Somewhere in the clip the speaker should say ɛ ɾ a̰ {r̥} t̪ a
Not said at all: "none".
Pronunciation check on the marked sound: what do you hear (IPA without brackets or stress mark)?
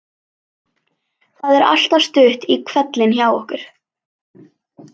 l̥